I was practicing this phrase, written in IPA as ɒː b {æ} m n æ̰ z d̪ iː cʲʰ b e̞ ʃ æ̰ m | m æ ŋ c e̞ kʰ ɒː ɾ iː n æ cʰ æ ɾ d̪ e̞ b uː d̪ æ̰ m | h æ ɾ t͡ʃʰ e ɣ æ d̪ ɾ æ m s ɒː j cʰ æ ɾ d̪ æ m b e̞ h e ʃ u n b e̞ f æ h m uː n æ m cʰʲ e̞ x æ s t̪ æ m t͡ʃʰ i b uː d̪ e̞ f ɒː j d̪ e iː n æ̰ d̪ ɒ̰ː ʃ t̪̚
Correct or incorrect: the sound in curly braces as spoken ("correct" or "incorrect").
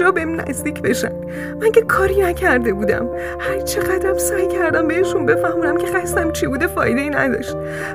incorrect